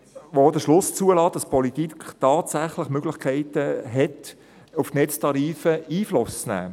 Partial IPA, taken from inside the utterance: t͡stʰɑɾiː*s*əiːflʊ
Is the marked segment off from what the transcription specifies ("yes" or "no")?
yes